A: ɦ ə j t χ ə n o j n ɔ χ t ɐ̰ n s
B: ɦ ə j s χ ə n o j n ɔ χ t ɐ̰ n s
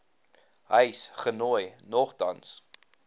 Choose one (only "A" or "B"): B